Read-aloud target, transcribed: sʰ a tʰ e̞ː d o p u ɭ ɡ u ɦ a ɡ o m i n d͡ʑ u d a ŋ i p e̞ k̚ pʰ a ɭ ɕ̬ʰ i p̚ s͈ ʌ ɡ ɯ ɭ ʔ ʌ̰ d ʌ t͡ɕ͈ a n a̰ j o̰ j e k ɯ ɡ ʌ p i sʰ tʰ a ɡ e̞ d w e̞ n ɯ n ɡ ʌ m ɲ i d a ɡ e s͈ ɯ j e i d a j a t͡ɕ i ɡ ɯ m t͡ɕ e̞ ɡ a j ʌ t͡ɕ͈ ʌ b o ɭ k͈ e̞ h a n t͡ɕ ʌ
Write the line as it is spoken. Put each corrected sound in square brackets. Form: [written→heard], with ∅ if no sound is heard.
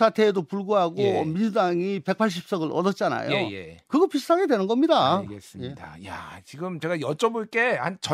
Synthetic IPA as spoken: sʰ a tʰ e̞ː d o p u ɭ ɡ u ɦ a ɡ o m i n d͡ʑ u d a ŋ i p e̞ k̚ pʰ a ɭ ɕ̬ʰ i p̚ s͈ ʌ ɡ ɯ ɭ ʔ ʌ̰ d ʌ t͡ɕ͈ a n a̰ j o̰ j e k ɯ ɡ ʌ p i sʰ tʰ a ɡ e̞ d w e̞ n ɯ n ɡ ʌ m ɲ i d a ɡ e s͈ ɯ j e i d a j a t͡ɕ i ɡ ɯ m t͡ɕ e̞ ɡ a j ʌ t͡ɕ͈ ʌ b o ɭ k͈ e̞ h a n t͡ɕ ʌ